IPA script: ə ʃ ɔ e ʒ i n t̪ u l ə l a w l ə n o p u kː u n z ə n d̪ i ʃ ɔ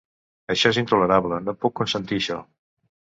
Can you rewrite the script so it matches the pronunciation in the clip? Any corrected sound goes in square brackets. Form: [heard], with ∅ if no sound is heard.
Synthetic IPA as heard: ə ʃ ɔ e [z] i n t̪ u l ə [ɾ] a [β] l ə n o p u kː u n [s] ə n [t̪] i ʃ ɔ